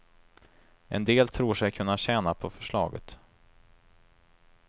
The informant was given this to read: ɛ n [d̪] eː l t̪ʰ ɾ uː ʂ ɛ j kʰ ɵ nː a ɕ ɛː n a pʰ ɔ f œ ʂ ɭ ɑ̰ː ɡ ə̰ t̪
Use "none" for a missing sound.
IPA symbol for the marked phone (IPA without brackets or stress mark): d̪